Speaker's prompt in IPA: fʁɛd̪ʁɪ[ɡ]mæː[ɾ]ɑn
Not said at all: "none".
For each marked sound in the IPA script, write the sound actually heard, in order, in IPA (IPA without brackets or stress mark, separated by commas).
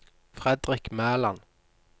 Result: k, l